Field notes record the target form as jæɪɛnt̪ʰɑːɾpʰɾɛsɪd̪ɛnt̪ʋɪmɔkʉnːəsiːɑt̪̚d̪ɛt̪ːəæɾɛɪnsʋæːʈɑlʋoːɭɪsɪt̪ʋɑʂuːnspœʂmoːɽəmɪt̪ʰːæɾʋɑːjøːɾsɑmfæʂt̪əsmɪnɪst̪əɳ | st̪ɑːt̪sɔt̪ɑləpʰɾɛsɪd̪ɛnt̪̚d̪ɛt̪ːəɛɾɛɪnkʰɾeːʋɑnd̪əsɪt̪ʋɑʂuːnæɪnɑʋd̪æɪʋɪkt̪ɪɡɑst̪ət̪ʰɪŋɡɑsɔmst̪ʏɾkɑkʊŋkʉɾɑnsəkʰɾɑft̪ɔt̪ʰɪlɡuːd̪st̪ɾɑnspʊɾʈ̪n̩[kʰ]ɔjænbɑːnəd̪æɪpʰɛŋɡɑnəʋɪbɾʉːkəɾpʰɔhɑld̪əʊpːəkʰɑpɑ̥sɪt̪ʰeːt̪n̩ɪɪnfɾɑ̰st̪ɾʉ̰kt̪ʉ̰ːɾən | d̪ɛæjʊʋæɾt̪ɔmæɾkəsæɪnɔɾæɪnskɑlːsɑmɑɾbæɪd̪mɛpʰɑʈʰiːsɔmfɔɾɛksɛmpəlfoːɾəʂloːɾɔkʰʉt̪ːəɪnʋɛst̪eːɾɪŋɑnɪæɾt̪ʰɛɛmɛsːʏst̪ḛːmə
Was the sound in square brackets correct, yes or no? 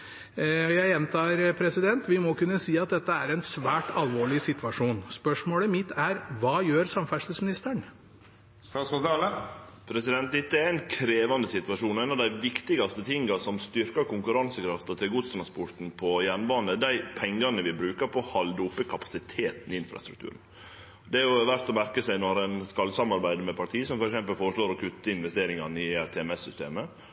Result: no